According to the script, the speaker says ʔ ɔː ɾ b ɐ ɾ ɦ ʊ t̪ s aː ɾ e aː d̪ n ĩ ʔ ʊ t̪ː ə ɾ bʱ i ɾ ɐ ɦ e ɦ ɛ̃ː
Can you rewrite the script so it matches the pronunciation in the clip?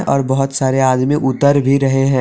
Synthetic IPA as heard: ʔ ɔː ɾ b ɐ ɦ ʊ t̪ s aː ɾ e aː d̪ m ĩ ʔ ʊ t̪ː ə ɾ bʱ i ɾ ɐ ɦ e ɦ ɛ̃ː